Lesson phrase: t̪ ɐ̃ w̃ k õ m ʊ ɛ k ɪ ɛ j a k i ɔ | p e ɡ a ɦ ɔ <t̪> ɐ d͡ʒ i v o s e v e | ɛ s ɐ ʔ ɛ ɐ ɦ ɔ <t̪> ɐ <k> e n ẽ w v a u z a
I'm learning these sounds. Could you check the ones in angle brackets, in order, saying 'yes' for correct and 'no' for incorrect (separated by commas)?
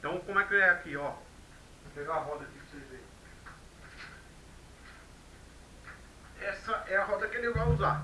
no, no, yes